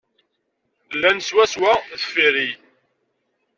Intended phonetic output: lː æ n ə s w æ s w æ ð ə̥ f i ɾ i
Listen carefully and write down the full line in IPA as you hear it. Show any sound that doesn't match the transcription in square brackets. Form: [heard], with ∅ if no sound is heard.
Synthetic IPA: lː æ n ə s w æ s w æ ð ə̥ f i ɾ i